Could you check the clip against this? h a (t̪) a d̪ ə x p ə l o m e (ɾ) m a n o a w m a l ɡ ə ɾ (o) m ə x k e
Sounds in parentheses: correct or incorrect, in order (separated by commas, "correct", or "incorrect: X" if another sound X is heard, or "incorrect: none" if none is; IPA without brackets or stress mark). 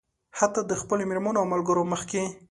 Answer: correct, correct, correct